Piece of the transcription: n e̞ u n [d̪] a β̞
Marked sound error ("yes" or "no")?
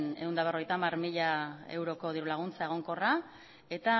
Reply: no